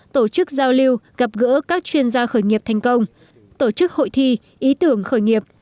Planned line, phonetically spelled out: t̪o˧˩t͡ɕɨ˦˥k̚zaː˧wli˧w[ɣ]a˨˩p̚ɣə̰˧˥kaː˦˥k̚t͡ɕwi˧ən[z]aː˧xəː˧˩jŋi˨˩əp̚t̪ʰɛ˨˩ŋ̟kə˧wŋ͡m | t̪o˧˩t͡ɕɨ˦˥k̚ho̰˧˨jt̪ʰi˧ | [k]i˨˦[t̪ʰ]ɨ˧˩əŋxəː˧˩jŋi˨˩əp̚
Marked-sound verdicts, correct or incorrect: correct, correct, incorrect: ʔ, incorrect: t̪

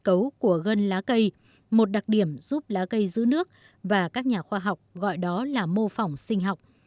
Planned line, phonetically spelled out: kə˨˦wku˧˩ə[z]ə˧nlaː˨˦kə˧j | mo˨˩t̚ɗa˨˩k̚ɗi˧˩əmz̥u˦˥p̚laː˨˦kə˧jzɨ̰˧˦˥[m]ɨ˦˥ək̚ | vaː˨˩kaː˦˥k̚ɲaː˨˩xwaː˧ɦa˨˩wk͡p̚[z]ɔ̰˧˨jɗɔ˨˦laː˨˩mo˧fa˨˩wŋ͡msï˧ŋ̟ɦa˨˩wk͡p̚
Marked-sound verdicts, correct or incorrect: incorrect: ɣ, incorrect: n, incorrect: ɣ

